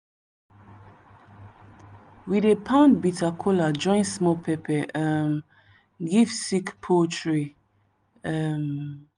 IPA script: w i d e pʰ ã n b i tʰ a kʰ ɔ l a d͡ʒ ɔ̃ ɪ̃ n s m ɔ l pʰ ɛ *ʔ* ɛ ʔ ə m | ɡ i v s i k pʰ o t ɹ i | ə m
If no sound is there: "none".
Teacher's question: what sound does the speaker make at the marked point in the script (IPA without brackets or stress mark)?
p